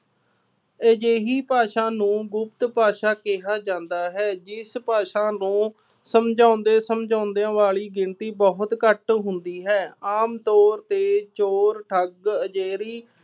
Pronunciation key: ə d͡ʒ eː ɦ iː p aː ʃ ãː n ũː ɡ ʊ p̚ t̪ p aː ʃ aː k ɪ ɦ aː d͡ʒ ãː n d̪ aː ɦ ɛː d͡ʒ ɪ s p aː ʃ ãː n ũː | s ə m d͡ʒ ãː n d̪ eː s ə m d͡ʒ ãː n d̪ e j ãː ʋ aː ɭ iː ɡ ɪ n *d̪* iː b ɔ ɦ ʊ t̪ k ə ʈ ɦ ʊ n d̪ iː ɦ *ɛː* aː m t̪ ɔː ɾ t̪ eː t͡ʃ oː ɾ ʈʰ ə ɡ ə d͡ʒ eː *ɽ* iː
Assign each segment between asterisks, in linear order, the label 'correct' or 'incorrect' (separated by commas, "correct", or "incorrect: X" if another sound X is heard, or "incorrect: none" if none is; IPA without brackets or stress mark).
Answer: incorrect: t̪, correct, incorrect: ɾ